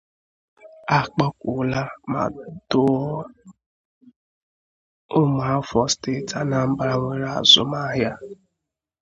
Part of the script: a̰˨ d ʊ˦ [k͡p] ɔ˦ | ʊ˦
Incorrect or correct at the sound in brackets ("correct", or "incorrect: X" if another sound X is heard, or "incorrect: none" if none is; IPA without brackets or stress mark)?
incorrect: none